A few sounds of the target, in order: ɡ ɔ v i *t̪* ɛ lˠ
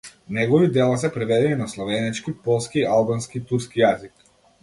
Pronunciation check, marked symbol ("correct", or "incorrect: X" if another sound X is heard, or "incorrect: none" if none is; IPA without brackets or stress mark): incorrect: d̪